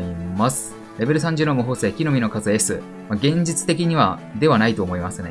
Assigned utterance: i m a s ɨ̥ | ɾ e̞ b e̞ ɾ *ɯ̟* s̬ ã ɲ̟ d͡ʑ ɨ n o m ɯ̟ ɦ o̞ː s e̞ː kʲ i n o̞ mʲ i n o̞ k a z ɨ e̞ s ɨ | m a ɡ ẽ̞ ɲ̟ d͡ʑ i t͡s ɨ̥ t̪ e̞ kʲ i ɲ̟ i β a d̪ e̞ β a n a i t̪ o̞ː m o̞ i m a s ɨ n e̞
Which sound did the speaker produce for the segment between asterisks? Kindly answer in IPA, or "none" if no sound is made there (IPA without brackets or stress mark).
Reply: ɯ̟